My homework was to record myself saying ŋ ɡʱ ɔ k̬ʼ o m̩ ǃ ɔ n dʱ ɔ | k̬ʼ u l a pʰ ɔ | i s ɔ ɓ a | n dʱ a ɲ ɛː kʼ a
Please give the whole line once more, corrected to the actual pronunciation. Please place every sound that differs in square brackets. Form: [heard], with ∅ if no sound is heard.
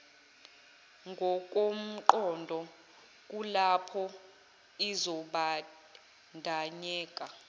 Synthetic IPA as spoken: ŋ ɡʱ ɔ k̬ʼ o m̩ ǃ ɔ n dʱ ɔ | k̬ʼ u l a pʰ ɔ | i [z] ɔ ɓ a | n dʱ a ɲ ɛː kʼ a